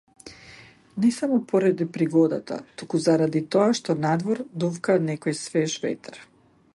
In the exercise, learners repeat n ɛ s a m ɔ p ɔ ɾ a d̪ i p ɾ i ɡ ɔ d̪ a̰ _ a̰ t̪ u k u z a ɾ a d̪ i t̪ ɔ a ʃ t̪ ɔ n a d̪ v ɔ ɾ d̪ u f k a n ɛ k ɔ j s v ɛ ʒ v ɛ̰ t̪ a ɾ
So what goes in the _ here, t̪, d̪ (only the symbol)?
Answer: t̪